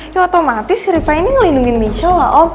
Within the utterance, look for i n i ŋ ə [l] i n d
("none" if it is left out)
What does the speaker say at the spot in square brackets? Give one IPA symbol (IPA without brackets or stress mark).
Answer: l